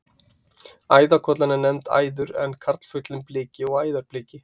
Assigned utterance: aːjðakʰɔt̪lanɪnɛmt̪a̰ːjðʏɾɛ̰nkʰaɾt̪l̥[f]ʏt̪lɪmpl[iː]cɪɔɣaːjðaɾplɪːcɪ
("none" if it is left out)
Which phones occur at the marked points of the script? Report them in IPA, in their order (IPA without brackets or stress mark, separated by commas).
f, ɪː